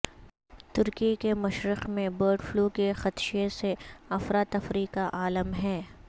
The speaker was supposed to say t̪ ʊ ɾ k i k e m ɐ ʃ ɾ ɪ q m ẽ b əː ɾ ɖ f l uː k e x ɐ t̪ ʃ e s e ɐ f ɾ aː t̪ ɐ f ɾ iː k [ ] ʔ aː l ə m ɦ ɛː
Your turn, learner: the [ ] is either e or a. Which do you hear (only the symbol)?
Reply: a